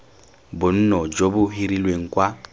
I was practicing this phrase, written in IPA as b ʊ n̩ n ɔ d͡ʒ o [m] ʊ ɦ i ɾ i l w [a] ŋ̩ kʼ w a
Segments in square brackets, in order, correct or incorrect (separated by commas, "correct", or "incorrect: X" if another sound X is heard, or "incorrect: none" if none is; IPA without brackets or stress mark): incorrect: b, incorrect: e